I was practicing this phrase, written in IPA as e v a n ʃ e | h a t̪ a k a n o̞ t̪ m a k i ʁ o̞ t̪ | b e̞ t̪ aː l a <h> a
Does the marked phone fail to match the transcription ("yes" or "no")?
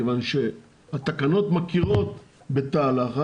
yes